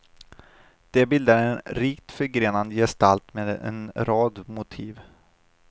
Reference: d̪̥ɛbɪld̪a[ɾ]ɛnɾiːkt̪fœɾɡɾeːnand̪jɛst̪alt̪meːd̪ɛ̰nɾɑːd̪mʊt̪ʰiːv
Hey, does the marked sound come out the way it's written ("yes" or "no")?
yes